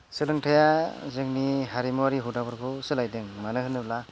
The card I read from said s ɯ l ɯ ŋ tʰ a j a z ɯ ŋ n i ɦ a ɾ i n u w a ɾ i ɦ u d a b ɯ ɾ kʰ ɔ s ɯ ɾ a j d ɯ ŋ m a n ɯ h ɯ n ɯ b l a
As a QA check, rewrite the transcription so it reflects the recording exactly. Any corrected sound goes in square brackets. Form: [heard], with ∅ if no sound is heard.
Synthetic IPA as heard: s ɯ l ɯ ŋ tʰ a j a z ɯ ŋ n i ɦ a ɾ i [m] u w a ɾ i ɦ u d a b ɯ ɾ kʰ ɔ s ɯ [l] a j d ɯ ŋ m a n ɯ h ɯ n ɯ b l a